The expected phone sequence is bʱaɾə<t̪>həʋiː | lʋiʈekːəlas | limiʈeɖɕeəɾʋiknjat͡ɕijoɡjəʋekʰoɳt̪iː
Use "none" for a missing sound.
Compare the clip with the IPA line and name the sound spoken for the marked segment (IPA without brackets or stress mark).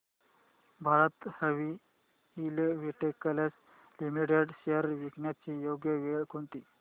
t̪